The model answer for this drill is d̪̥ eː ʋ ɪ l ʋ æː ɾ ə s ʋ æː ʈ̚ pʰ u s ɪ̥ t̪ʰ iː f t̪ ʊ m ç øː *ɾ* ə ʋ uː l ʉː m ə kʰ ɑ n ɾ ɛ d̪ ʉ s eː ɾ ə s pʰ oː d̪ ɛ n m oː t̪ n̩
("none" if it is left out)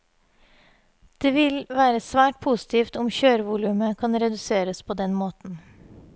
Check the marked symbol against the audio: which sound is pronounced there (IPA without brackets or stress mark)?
ɾ